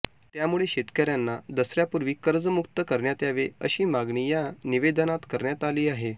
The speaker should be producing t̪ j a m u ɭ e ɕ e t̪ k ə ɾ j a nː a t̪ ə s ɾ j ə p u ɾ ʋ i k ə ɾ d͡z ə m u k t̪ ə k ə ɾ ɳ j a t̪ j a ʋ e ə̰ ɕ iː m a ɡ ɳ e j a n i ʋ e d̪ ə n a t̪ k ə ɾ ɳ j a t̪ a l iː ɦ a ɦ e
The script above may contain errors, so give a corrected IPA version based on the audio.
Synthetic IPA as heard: t̪ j a m u ɭ e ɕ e t̪ k ə ɾ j a nː a d̪ ə s ɾ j a p u ɾ ʋ iː k ə ɾ d͡z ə m u k t̪ ə k ə ɾ ɳ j a t̪ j a ʋ e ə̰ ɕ iː m a ɡ ɳ i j a n i ʋ e d̪ ə n a t̪ k ə ɾ ɳ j a t̪ a l iː a ɦ e